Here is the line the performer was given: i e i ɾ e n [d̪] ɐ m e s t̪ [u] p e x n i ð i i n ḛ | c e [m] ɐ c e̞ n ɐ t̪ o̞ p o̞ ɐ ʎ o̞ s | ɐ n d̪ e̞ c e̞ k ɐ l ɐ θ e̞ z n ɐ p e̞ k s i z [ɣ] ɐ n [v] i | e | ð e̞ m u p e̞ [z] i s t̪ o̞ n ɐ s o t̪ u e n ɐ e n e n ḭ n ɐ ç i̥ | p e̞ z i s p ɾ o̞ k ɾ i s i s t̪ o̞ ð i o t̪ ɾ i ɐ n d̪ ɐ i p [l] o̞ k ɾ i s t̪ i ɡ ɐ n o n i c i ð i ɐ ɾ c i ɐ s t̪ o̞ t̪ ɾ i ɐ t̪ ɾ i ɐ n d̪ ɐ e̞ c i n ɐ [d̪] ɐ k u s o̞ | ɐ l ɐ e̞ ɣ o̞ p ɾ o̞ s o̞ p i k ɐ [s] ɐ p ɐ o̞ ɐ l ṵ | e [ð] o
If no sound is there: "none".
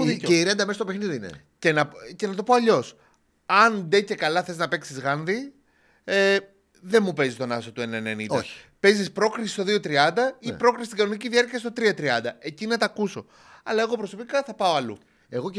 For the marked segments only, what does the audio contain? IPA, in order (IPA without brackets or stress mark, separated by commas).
d̪, o, n, ɣ, ð, z, ɾ, t̪, θ, ɣ